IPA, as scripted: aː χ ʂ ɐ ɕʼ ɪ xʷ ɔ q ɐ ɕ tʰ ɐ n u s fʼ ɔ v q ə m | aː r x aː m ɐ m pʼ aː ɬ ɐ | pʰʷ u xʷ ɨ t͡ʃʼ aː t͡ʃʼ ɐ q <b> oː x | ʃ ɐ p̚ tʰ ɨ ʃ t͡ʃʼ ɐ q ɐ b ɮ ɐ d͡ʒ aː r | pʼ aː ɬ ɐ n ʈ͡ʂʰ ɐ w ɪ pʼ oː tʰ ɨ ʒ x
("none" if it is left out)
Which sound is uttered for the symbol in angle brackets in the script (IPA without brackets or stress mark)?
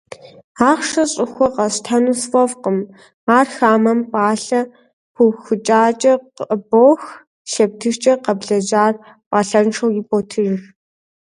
b